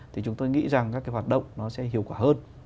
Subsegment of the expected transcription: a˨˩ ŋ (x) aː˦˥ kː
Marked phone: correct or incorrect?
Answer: incorrect